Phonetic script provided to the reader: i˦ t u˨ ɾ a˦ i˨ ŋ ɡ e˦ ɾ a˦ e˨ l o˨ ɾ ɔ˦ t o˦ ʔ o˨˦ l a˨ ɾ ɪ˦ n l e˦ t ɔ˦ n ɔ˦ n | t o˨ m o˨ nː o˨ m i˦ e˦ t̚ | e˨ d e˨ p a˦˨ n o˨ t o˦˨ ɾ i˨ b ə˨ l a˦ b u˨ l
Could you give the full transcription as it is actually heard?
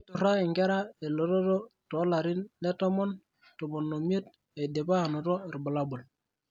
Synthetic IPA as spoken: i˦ t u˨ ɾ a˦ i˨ ŋ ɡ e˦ ɾ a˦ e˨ l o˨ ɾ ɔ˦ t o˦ t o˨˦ l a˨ ɾ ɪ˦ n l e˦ t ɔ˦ m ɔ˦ n | t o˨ m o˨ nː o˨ m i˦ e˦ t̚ | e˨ d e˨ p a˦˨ n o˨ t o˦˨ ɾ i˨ b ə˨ l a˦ b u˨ l